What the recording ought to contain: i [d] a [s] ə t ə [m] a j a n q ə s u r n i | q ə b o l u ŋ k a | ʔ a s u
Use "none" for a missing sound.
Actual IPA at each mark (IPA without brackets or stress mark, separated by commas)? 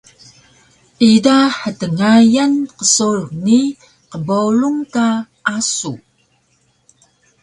d, ħ, ŋ